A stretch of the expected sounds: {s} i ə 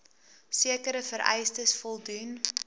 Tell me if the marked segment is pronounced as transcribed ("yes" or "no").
yes